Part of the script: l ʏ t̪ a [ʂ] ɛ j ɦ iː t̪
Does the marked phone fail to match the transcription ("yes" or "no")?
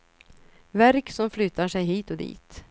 no